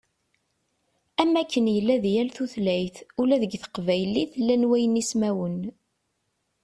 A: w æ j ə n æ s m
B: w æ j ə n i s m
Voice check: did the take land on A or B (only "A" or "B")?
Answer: B